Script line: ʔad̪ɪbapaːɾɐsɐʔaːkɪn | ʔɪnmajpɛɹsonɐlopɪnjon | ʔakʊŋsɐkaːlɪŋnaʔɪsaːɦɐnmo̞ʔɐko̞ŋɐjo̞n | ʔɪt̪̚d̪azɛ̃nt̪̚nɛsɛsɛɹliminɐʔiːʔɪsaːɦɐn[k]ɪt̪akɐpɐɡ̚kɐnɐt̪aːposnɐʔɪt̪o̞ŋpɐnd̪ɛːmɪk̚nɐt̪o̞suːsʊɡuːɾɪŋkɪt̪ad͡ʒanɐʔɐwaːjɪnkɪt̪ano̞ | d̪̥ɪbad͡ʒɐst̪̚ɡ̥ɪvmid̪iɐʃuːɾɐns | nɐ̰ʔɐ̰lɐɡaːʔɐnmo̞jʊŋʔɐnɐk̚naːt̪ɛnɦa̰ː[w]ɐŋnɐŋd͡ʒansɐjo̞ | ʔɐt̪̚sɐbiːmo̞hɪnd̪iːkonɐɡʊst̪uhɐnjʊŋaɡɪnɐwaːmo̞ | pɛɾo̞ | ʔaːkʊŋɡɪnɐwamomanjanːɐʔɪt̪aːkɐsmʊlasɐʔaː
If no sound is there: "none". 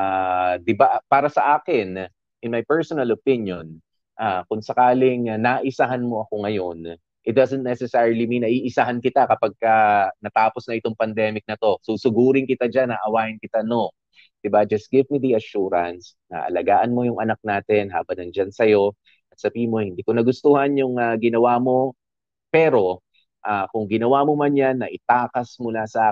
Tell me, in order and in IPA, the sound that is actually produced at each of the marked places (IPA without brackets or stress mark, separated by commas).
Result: k, b